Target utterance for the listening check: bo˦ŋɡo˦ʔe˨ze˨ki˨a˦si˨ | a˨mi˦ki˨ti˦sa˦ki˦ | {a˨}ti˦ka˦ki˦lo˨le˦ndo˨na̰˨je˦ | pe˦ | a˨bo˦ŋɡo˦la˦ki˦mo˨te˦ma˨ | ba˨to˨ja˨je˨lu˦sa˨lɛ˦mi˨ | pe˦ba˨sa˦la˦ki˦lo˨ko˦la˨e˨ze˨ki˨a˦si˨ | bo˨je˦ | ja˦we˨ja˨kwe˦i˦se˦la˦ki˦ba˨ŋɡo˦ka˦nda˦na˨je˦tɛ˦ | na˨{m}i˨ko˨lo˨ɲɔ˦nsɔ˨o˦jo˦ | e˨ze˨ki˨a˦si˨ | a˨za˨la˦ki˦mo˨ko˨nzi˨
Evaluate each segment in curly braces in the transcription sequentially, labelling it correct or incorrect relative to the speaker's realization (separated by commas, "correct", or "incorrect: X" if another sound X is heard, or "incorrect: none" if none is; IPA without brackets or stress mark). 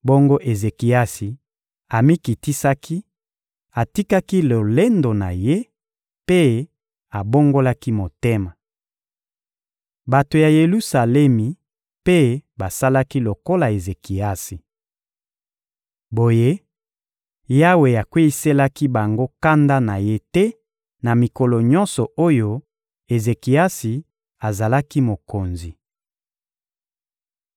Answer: correct, correct